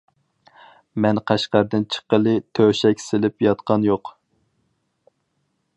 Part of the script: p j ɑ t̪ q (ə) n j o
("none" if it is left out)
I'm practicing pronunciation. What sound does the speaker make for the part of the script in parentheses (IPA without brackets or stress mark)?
ɑ